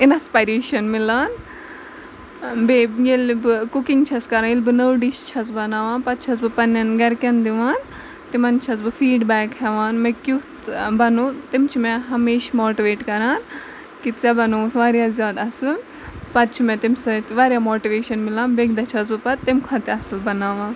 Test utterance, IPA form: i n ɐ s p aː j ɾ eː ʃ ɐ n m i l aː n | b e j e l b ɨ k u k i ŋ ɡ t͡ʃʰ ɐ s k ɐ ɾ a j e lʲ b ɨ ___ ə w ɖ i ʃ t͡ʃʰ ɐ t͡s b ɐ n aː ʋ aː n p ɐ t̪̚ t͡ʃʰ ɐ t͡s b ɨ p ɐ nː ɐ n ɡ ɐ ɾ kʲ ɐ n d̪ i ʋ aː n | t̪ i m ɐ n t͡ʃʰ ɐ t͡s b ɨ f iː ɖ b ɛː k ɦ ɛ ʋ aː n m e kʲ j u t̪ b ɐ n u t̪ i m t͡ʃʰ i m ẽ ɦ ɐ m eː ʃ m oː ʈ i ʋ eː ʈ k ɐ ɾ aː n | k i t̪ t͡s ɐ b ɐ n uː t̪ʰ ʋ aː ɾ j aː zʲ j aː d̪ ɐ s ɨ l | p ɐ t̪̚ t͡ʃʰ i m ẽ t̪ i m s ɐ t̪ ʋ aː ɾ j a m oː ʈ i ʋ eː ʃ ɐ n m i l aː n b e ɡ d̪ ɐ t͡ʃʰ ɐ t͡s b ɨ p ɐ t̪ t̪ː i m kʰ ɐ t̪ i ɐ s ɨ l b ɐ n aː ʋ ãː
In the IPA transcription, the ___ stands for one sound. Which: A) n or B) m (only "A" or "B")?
A